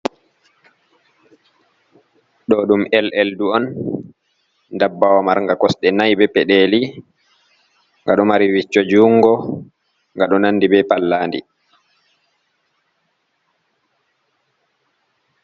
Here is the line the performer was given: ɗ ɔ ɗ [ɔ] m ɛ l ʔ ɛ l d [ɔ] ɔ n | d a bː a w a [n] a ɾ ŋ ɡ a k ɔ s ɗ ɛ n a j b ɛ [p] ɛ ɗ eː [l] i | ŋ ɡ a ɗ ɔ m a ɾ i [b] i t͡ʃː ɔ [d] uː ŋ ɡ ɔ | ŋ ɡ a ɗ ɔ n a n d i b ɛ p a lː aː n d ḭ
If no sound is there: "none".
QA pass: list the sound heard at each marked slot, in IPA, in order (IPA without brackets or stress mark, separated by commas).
u, u, m, p, l, w, d͡ʒ